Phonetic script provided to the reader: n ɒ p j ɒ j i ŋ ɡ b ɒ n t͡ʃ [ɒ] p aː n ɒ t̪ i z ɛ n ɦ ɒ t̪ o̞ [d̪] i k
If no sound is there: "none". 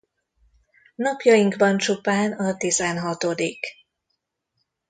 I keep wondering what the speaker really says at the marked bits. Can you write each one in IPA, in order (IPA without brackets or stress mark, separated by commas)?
u, d̪